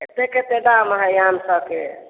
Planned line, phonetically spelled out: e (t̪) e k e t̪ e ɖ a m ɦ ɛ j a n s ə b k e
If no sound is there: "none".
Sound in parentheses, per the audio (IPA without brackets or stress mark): t̪